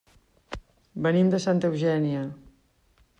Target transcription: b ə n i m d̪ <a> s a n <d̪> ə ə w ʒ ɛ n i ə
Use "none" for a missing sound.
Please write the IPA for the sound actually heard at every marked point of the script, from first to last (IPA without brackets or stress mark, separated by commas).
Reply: ə, t̪